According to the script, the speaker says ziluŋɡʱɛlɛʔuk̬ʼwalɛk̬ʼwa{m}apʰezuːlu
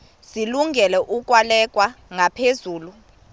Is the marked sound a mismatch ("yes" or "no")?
yes